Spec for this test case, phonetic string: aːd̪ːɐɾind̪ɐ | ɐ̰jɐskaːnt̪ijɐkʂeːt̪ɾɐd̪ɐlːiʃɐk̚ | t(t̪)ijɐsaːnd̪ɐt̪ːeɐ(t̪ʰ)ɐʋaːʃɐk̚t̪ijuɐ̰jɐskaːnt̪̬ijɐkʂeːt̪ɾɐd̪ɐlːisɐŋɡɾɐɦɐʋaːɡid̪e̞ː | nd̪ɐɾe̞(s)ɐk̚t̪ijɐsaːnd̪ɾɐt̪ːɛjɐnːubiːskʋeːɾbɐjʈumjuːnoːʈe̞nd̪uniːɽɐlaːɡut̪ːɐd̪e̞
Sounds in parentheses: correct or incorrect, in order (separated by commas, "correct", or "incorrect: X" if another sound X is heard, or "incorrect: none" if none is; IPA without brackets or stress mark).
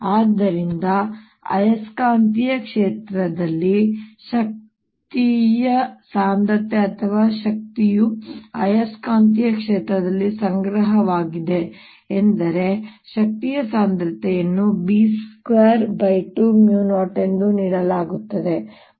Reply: correct, correct, incorrect: ʃ